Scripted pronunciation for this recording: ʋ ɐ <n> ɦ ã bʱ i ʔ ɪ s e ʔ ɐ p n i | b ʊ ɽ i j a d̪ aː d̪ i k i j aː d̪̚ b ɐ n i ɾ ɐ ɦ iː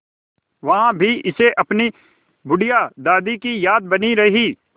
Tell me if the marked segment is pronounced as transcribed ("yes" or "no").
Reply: no